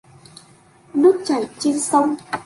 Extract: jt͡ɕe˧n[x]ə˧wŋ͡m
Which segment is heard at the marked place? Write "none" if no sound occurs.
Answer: s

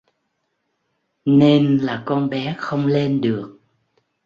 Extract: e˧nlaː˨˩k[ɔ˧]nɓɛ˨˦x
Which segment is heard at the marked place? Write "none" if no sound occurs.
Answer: ɔ˧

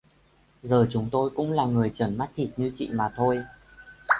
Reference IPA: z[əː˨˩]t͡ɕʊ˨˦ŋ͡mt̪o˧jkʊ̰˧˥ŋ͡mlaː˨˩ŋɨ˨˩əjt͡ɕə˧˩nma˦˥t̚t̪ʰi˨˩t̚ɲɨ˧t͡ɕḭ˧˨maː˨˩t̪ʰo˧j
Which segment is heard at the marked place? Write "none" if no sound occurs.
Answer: əː˨˩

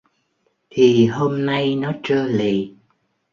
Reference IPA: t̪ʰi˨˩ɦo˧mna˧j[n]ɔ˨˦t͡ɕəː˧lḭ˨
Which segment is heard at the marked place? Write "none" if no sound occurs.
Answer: n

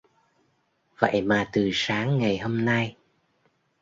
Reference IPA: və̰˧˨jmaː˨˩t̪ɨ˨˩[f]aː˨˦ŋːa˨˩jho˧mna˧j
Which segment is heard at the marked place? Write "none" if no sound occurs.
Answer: s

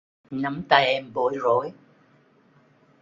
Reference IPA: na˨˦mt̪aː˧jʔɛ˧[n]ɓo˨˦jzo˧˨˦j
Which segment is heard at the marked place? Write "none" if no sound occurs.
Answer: m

